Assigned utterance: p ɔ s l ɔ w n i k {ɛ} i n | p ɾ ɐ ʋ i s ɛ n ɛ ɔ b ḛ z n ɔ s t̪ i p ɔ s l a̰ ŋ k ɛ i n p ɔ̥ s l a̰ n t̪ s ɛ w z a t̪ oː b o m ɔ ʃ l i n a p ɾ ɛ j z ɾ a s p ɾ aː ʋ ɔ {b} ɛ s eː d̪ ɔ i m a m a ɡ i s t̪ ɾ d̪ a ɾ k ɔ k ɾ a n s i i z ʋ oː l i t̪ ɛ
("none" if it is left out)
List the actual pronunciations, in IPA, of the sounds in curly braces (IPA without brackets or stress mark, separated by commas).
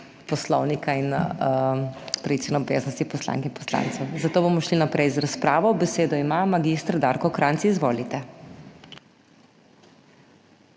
a, b